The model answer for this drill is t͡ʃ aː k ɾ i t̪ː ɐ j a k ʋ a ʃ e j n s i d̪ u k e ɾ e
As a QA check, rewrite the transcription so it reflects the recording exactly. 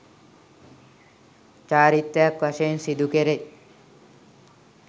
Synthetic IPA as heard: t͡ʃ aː ɾ i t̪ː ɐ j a k ʋ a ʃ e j n s i d̪ u k e ɾ e